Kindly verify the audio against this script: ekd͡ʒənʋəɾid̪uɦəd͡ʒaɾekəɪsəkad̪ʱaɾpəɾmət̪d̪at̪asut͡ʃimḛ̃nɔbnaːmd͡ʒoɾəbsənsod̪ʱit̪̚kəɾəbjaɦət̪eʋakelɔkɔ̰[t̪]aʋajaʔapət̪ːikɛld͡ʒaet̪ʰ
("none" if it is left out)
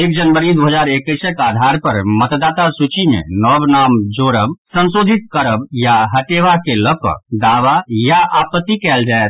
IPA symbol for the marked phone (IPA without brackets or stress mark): d̪